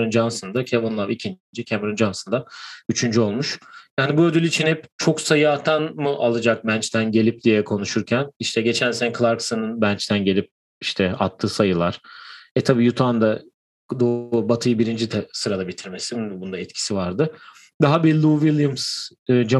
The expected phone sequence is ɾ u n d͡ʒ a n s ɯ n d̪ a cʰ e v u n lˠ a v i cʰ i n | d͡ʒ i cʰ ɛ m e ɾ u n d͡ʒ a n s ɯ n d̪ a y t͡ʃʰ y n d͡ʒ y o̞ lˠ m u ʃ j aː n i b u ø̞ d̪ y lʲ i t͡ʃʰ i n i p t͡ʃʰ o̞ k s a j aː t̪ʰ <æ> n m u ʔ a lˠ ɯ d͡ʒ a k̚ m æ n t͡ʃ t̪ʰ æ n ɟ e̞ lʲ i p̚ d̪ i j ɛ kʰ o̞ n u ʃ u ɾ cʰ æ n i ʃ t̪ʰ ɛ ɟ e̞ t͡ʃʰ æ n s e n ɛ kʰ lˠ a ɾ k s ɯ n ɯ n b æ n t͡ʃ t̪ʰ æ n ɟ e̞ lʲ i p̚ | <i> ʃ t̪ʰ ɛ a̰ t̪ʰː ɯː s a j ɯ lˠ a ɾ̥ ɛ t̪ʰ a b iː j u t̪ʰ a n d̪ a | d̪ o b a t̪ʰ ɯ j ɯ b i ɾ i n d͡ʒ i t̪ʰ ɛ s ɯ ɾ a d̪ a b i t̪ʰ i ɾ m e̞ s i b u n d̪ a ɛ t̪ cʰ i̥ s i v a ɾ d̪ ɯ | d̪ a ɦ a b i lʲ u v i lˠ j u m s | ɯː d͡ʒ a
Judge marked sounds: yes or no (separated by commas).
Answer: no, yes